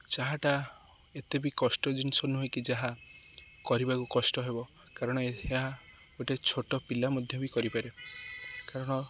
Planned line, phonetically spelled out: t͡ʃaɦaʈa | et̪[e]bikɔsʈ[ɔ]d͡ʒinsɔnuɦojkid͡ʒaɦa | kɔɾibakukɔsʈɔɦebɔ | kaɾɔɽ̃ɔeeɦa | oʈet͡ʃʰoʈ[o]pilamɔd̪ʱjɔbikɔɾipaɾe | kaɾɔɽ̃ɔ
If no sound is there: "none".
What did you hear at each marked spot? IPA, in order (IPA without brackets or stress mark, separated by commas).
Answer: e, ɔ, ɔ